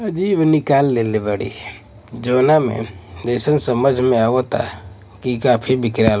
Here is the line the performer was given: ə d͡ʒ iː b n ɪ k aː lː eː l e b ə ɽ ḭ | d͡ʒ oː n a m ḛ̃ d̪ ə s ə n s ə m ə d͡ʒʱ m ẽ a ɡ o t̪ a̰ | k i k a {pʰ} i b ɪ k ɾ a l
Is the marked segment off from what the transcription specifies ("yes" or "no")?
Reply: no